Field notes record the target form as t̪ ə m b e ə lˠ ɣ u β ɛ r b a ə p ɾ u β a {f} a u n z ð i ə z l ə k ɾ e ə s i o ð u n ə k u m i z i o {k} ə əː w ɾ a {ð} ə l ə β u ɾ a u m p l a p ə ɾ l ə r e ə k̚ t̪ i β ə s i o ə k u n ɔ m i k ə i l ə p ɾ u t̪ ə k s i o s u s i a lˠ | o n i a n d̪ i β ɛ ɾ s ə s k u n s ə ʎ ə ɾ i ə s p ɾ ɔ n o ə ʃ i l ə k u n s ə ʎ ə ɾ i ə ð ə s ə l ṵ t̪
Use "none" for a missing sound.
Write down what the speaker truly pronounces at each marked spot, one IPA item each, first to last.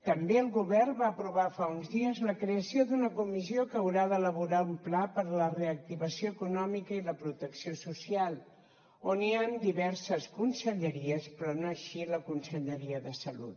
f, k, ð

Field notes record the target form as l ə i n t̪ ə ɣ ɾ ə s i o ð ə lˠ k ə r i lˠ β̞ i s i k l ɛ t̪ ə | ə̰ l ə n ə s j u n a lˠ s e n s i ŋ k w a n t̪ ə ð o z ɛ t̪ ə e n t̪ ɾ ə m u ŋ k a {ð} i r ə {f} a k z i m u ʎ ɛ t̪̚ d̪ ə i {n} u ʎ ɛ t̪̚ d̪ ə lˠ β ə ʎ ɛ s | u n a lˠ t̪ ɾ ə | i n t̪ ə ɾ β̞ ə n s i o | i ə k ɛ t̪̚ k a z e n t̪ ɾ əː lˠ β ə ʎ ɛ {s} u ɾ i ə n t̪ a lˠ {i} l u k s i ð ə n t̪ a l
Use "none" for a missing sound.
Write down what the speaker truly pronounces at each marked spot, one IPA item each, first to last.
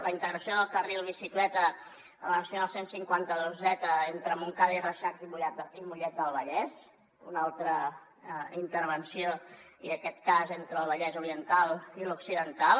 ð, ʃ, m, z, i

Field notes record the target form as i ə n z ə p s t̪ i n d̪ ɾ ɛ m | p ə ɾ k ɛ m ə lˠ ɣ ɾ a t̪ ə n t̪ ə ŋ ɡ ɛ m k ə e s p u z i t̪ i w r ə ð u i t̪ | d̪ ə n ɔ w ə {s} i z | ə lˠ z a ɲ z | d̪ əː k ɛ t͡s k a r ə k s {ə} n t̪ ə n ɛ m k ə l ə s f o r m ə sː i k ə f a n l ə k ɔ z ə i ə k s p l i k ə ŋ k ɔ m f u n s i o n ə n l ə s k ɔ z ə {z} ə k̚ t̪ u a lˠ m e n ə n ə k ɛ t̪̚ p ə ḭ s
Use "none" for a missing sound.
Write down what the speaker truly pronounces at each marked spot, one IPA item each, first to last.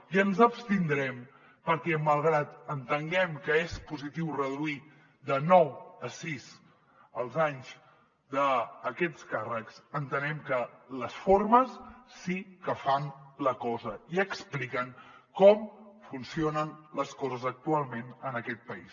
s, ə, z

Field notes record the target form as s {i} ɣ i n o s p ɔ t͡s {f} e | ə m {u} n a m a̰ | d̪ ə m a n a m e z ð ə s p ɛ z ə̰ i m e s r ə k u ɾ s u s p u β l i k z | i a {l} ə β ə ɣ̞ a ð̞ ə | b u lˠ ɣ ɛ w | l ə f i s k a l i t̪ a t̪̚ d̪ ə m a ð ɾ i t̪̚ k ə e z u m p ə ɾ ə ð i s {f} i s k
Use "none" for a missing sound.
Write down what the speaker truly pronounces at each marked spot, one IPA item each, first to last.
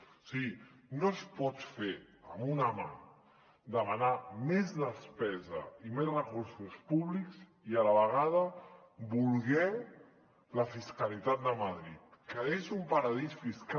i, f, u, l, f

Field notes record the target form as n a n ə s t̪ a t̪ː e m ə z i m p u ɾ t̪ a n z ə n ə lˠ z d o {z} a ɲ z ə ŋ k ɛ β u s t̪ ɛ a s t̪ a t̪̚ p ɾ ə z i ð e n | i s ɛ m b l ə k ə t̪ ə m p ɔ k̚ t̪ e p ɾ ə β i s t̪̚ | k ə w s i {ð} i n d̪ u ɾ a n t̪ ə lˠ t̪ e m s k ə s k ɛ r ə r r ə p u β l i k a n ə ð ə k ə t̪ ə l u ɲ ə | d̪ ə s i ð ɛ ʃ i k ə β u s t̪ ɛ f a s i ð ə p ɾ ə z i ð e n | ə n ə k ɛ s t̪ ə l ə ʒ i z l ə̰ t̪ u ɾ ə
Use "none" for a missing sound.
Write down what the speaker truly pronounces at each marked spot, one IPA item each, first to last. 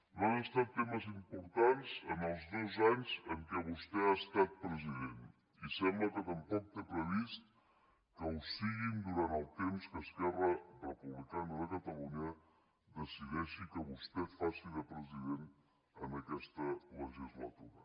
z, ɣ

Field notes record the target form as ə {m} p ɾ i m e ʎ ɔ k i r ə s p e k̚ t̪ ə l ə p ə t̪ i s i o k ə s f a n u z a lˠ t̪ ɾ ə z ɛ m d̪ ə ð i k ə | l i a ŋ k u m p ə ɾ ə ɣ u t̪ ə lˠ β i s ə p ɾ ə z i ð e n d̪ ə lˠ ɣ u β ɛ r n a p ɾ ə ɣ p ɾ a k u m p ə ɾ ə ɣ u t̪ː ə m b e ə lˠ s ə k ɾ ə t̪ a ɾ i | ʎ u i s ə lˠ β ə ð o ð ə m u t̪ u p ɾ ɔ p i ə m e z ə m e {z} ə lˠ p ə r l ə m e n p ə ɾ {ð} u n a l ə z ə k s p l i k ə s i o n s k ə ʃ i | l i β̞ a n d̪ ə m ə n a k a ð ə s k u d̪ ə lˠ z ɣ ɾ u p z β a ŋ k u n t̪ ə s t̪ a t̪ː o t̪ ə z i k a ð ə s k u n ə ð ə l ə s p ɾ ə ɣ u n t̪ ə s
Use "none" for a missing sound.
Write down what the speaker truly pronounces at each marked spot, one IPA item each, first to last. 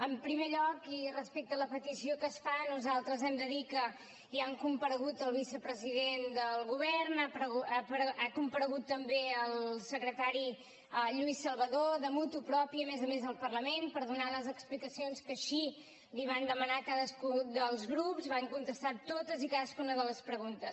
m, z, ð

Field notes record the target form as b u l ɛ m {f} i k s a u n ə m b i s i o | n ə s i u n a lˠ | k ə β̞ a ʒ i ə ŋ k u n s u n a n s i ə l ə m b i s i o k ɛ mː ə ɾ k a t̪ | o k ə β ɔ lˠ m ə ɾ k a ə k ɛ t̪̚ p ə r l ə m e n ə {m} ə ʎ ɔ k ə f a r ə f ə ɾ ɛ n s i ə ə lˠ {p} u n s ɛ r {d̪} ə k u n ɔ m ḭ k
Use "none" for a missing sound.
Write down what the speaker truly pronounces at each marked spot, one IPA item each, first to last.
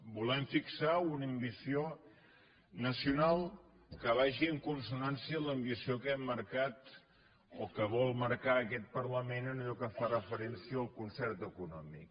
f, n, k, t̪

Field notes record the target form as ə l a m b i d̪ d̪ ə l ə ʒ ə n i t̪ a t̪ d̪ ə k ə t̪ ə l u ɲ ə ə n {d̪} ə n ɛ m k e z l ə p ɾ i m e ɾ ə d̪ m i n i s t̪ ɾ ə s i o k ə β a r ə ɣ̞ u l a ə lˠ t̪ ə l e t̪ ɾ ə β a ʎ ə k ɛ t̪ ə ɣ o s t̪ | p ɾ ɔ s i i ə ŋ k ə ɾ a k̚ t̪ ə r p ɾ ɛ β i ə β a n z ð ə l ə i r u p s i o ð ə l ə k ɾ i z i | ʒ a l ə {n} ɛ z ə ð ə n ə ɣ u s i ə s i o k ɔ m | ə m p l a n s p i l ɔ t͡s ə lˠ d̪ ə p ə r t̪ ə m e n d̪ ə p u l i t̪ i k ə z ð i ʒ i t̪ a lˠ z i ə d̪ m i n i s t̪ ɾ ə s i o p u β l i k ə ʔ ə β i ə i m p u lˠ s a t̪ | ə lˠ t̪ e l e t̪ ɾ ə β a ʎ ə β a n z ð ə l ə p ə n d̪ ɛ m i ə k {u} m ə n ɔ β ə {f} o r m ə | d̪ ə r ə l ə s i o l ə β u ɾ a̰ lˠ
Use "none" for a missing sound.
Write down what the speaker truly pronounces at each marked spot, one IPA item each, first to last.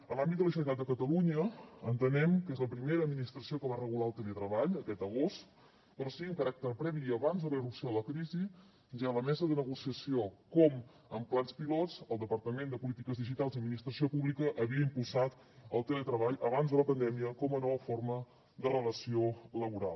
t̪, m, ɔ, f

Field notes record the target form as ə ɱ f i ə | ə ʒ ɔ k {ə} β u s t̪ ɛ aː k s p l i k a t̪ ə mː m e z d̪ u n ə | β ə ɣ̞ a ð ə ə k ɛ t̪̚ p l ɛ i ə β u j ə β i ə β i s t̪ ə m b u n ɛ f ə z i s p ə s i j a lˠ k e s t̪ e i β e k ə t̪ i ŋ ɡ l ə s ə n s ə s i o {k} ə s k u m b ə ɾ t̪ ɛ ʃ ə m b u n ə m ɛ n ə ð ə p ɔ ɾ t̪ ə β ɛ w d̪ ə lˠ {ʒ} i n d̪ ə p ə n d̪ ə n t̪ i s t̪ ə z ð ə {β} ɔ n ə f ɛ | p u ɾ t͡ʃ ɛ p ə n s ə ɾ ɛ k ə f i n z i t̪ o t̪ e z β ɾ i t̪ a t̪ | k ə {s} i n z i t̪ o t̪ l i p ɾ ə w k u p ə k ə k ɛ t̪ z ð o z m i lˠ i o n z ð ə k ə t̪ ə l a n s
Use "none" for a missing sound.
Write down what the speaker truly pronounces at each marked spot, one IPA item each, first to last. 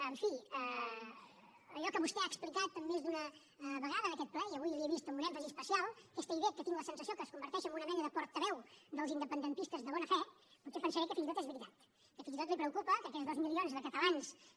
ə, k, z, β, f

